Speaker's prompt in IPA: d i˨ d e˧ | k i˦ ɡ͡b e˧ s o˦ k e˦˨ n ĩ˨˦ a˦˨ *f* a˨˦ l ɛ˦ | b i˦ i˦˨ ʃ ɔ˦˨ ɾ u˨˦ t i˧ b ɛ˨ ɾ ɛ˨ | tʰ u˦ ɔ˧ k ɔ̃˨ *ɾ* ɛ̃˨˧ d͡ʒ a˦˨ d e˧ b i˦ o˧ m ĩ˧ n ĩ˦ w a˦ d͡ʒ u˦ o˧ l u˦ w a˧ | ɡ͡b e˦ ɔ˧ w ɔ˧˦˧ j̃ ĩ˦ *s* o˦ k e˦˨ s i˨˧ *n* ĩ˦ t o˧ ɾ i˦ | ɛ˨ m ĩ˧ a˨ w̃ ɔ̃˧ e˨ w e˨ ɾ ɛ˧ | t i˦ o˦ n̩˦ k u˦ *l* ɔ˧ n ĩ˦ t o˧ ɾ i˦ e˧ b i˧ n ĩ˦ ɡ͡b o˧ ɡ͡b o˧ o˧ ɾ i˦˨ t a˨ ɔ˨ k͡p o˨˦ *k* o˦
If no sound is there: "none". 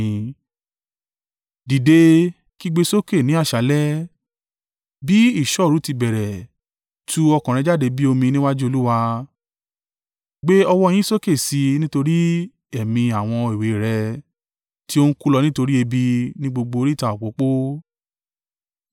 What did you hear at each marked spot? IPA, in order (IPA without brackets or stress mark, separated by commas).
ʃ, ɾ, s, n, l, k͡p